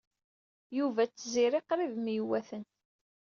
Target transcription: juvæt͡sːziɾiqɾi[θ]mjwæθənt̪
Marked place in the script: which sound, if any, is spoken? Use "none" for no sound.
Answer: ð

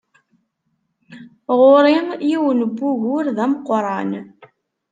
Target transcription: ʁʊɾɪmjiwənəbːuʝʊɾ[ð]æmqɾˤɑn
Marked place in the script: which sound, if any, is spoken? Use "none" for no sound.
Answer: ð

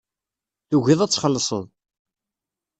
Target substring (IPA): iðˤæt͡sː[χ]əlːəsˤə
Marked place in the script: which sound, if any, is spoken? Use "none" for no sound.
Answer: χ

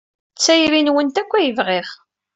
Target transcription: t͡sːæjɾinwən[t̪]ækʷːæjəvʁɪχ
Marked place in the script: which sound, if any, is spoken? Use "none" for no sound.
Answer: t̪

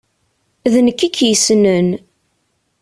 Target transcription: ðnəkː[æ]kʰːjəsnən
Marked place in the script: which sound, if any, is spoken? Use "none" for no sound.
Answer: i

